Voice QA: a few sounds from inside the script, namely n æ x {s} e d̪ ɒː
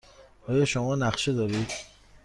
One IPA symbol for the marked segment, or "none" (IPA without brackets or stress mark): ʃ